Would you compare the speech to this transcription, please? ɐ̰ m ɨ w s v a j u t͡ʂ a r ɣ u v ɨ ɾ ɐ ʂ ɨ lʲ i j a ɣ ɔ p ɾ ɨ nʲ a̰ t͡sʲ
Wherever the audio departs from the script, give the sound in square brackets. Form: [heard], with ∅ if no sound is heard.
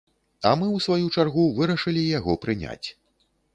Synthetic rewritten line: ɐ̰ m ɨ w s v a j u t͡ʂ a r ɣ u v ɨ ɾ ɐ ʂ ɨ lʲ i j a ɣ ɔ p ɾ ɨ nʲ a̰ t͡sʲ